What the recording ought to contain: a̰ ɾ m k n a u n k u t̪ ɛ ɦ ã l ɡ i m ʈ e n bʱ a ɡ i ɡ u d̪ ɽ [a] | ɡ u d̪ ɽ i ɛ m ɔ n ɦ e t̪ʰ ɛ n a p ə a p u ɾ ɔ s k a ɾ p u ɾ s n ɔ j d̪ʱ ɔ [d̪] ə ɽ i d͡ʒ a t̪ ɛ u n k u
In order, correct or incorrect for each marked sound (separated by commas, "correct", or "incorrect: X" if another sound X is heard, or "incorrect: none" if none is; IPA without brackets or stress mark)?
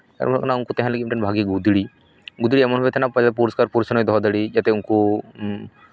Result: incorrect: i, correct